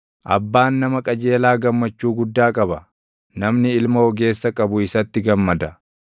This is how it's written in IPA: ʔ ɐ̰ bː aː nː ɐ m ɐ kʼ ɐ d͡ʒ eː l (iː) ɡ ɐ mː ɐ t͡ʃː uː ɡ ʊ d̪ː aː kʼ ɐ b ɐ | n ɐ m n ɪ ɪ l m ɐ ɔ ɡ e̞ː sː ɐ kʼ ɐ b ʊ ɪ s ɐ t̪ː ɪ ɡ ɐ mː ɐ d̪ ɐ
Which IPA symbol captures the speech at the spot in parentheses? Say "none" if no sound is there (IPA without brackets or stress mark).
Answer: aː